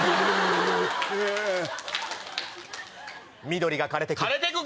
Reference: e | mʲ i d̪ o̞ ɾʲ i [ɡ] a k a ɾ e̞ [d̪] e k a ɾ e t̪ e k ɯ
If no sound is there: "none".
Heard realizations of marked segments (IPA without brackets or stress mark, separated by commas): ɡ, t̪